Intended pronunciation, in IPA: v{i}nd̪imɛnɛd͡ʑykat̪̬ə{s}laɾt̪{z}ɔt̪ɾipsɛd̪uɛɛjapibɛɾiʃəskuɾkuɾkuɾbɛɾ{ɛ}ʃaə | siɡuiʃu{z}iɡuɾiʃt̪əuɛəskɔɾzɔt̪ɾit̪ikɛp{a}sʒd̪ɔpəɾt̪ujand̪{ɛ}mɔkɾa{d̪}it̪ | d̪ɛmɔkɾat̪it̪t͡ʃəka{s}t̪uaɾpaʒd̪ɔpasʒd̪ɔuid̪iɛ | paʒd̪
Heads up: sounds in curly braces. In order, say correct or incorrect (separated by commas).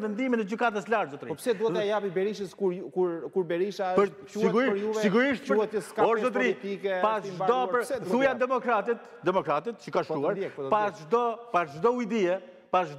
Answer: incorrect, correct, correct, incorrect, incorrect, correct, correct, incorrect, incorrect